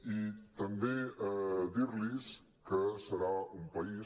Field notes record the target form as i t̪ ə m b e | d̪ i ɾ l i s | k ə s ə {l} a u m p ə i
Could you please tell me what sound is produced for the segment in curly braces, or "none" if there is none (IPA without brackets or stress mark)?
ɾ